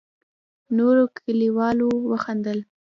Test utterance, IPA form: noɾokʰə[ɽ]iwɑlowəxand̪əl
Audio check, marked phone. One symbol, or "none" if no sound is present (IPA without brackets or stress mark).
l